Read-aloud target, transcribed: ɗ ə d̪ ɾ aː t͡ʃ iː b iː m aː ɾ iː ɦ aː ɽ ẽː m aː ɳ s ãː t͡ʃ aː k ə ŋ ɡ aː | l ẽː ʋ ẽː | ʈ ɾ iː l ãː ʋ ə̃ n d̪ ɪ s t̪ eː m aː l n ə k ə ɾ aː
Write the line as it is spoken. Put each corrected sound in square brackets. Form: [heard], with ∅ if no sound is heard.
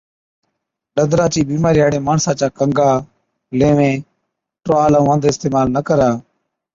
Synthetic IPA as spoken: ɗ ə d̪ ɾ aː t͡ʃ iː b iː m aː ɾ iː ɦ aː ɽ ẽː m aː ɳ s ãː t͡ʃ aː k ə ŋ ɡ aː | l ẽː ʋ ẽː | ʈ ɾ [aː] l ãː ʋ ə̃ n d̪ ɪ s t̪ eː m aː l n ə k ə ɾ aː